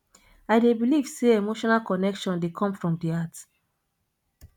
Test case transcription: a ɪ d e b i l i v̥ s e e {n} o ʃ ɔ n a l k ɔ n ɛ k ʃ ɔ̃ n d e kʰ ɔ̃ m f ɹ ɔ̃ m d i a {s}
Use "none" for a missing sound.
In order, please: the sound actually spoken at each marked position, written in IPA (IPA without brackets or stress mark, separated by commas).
m, t